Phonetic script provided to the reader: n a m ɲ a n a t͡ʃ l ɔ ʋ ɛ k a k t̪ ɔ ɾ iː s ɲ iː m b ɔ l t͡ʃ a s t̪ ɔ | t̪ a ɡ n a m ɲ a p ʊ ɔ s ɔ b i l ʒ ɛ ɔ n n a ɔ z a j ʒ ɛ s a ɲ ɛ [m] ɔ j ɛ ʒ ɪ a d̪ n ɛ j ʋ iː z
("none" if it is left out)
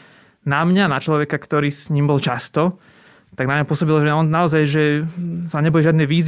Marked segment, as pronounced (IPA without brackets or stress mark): b